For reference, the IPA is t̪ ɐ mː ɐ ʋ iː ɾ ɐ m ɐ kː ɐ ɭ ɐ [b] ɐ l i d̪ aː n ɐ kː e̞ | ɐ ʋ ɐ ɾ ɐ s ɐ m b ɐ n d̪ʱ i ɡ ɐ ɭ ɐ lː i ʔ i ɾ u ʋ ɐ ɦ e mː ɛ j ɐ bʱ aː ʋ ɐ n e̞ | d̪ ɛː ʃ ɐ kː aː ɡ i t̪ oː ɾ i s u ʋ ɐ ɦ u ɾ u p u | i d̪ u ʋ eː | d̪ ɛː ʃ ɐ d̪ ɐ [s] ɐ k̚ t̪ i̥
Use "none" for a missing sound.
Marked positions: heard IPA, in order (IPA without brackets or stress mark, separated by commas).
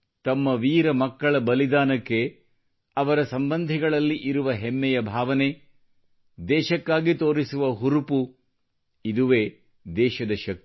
b, ʃ